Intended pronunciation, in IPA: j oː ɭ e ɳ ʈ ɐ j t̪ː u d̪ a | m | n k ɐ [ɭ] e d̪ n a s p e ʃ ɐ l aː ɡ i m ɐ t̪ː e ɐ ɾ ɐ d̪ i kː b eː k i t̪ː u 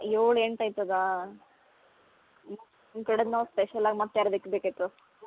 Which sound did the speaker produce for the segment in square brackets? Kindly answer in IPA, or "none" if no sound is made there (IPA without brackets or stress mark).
ɽ